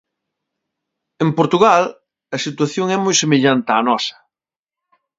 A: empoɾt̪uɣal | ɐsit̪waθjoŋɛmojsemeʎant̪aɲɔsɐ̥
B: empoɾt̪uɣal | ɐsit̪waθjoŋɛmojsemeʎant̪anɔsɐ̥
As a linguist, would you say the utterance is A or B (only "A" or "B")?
B